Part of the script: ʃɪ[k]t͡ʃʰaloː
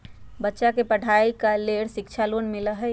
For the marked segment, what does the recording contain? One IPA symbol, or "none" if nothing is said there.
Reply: k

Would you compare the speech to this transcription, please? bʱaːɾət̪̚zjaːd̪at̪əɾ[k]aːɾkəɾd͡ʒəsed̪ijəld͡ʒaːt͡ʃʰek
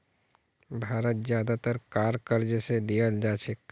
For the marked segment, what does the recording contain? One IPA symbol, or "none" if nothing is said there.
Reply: k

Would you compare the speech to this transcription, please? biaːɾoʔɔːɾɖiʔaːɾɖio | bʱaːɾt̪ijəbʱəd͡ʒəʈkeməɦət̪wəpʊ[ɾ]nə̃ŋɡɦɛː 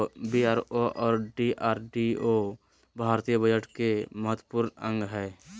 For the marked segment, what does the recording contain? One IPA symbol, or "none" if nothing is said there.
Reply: ɾ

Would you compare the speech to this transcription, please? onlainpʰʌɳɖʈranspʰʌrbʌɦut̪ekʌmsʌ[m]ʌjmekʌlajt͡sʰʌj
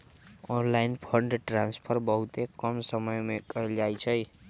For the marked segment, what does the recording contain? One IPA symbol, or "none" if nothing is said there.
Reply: m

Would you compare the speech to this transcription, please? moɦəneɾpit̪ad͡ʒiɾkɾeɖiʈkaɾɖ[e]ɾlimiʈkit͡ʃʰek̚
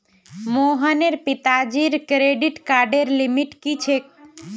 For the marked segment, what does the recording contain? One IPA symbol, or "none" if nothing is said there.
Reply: e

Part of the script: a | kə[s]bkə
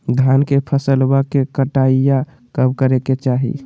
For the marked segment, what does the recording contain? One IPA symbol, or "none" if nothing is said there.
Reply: none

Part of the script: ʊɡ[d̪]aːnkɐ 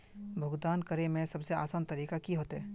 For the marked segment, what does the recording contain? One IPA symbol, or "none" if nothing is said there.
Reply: d̪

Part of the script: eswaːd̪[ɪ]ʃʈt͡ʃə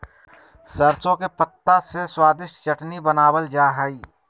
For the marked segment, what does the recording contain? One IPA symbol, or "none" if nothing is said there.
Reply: ɪ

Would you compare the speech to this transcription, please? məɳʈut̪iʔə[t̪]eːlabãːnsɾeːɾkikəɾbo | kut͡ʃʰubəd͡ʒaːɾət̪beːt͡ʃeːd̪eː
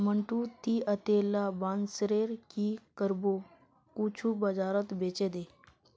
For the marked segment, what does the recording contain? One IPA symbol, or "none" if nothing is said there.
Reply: t̪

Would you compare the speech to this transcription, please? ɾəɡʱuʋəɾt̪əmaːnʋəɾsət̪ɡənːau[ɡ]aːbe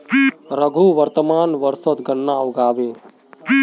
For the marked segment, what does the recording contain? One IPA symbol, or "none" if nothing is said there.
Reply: ɡ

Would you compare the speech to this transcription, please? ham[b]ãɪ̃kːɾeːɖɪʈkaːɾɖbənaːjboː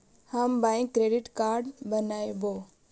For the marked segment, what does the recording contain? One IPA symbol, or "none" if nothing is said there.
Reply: b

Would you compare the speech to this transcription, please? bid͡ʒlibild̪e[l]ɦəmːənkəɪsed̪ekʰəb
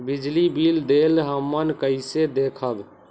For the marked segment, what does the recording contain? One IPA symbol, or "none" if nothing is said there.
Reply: l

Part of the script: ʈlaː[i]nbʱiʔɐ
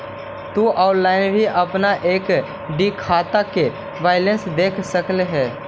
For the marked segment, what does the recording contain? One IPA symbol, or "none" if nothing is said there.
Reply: ɪ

